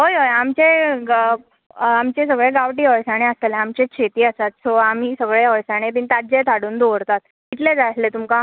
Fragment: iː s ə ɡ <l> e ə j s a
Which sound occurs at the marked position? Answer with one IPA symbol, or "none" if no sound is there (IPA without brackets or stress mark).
ɭ